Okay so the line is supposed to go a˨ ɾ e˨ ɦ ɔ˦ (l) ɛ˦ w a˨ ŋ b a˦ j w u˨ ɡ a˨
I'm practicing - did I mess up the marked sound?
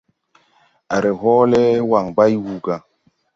no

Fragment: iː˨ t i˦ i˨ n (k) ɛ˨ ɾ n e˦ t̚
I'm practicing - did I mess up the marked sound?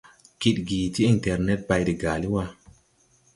yes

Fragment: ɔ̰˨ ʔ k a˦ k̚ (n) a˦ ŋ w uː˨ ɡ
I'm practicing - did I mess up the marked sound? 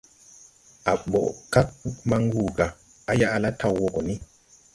yes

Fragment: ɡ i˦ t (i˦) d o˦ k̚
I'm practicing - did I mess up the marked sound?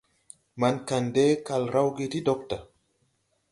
no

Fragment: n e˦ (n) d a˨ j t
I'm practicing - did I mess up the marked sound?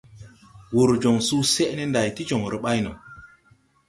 no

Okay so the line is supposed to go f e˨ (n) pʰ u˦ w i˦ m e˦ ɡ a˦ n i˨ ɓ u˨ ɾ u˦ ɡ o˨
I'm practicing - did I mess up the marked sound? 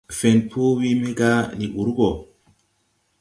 no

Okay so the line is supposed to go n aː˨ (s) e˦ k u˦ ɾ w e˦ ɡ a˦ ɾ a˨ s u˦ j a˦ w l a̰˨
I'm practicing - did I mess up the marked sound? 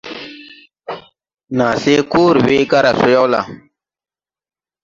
no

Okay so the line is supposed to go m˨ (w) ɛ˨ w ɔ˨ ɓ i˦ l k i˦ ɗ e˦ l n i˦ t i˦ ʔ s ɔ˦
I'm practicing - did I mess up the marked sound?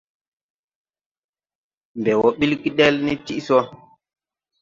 yes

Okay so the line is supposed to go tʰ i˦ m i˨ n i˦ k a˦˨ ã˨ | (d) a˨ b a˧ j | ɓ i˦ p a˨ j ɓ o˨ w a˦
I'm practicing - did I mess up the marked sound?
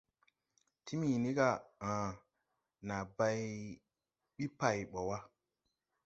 yes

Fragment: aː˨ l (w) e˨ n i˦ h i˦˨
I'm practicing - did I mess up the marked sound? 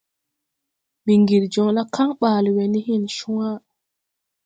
no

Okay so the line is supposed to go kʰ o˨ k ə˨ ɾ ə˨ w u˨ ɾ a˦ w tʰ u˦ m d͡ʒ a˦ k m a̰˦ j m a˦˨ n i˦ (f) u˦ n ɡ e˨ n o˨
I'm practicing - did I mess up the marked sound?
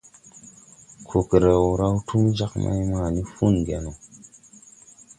no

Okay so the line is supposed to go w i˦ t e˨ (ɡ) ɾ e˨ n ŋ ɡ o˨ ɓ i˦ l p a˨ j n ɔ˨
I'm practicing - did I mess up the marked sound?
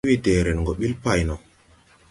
yes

